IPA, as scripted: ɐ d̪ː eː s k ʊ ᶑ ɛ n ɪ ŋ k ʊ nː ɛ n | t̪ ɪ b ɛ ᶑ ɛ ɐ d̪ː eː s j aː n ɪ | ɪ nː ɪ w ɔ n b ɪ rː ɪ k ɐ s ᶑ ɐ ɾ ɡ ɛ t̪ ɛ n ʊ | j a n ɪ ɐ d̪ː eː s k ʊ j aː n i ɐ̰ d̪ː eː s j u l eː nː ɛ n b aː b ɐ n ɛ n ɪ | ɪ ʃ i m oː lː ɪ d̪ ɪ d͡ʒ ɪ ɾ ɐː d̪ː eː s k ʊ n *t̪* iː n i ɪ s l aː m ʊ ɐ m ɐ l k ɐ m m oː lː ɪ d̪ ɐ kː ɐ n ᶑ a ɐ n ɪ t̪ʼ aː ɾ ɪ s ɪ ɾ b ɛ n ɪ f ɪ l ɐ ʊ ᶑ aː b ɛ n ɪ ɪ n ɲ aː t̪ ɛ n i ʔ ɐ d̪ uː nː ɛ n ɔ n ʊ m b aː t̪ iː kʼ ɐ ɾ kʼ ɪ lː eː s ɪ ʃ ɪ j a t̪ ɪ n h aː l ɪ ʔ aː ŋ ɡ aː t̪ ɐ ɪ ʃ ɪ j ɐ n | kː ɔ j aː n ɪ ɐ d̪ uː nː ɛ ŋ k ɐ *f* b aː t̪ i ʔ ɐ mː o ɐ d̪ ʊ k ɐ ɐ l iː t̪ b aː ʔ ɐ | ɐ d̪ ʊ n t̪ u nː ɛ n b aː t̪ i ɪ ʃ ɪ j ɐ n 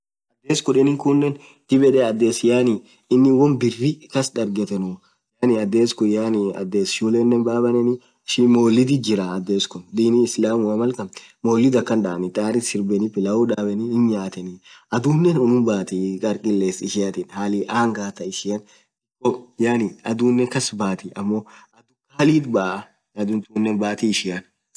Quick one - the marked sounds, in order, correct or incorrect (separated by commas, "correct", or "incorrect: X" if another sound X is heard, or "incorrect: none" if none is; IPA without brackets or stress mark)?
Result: incorrect: d̪, incorrect: s